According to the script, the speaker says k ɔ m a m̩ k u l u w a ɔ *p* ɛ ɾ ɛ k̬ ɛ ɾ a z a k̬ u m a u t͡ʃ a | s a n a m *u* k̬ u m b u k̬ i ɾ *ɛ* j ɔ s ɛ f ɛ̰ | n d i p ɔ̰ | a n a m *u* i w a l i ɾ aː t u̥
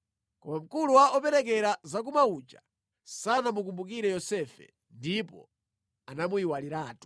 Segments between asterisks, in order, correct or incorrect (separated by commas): correct, correct, correct, correct